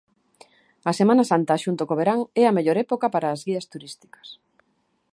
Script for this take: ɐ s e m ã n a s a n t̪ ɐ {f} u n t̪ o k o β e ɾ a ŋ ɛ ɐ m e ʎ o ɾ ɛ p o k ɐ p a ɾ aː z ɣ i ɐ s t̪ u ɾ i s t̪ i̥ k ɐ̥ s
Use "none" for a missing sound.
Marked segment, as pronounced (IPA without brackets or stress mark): ʃ